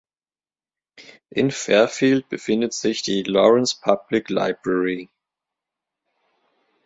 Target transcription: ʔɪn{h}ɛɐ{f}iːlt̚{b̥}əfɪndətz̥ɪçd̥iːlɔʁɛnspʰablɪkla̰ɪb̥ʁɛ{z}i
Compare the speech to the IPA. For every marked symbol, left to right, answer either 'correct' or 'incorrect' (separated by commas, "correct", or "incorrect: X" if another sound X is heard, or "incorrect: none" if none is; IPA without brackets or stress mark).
incorrect: f, correct, correct, incorrect: ʁ